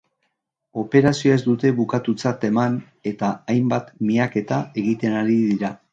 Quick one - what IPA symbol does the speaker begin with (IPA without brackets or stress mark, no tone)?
o̞